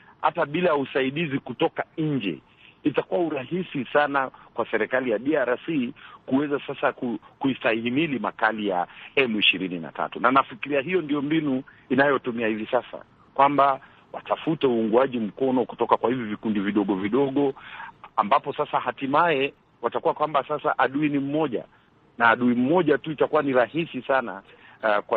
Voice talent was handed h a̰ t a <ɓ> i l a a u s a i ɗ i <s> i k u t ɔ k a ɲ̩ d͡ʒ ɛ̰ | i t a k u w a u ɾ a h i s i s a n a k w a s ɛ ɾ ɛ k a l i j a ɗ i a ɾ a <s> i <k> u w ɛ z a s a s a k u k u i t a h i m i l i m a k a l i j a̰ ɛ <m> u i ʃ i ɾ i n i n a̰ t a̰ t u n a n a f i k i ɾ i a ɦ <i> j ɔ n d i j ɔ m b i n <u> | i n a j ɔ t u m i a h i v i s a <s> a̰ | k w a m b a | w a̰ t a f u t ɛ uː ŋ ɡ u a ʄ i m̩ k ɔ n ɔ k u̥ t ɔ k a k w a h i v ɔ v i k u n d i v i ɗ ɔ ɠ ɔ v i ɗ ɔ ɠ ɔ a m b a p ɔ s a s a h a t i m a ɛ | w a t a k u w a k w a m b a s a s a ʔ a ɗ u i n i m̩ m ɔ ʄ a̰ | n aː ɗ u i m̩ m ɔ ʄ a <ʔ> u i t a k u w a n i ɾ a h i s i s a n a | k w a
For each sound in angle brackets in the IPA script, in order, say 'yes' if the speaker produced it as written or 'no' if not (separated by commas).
yes, no, yes, yes, yes, yes, yes, yes, no